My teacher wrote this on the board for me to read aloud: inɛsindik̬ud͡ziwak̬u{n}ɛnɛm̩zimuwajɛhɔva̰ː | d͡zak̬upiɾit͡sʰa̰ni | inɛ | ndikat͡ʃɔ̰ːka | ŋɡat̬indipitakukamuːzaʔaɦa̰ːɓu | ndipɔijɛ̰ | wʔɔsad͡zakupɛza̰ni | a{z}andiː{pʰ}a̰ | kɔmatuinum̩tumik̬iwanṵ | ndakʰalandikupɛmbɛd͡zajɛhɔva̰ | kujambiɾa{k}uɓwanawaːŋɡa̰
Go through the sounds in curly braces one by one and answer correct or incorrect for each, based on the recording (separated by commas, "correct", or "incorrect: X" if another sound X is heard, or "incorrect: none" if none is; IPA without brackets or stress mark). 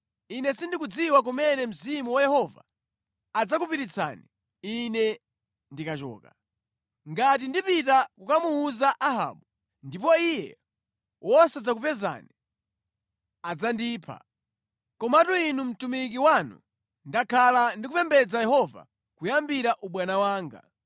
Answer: incorrect: m, incorrect: d͡z, correct, incorrect: ʔ